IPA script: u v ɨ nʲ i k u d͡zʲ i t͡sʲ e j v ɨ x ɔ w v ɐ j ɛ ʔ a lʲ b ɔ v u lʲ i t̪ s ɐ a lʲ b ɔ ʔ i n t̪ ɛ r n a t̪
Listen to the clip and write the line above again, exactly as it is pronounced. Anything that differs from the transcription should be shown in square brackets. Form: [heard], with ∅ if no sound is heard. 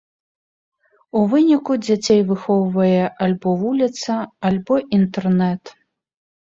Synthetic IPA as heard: u v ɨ nʲ i k u d͡zʲ [a] t͡sʲ e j v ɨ x ɔ w v ɐ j ɛ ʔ a lʲ b ɔ v u lʲ i t̪ s ɐ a lʲ b ɔ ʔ i n t̪ ɛ r n [ɛ] t̪